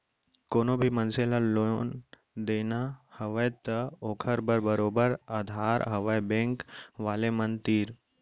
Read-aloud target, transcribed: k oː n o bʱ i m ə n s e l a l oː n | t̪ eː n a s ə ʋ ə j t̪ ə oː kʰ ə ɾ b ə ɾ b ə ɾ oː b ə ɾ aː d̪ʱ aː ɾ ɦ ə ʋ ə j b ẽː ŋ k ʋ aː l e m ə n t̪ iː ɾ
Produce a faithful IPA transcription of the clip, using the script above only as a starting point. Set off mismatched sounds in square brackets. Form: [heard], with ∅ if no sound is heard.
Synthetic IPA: k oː n o bʱ i m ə n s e l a l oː n | [d̪] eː n a [h] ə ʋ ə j t̪ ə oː kʰ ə ɾ b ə ɾ b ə ɾ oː b ə ɾ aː d̪ʱ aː ɾ ɦ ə ʋ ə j b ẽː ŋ k ʋ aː l e m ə n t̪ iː ɾ